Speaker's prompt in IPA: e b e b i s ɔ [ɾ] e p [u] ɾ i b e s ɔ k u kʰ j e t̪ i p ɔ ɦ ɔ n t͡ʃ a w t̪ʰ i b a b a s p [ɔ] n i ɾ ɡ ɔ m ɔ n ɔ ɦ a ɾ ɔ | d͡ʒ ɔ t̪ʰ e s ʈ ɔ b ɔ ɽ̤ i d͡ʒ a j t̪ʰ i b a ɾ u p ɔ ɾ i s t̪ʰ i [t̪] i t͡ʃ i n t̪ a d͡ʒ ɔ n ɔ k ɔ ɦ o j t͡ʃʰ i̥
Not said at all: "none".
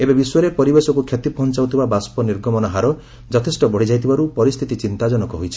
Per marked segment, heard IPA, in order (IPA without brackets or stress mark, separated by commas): ɾ, ɔ, ɔ, t̪